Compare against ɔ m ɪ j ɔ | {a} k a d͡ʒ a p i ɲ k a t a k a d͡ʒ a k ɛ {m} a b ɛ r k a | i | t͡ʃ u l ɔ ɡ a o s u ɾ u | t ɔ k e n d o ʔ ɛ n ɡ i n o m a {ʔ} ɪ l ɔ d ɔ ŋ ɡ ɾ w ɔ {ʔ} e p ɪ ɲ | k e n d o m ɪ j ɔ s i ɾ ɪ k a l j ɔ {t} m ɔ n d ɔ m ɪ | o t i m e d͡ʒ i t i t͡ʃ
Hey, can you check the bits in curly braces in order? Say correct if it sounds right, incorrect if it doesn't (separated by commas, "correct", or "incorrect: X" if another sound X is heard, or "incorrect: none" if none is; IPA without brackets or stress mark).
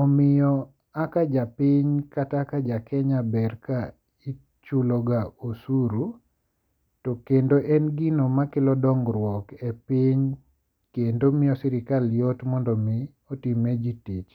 correct, incorrect: ɲ, incorrect: k, incorrect: k, correct